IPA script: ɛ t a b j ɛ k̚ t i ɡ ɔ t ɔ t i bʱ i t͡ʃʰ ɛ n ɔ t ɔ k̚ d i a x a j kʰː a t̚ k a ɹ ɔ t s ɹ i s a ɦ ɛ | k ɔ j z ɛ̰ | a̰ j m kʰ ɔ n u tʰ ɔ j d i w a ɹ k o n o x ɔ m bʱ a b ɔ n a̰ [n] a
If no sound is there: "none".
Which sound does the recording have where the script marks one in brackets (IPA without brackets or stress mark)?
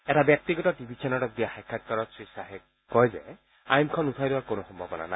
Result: n